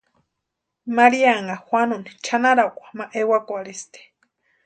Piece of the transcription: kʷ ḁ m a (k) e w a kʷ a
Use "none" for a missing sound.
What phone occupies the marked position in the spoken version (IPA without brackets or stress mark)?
ʔ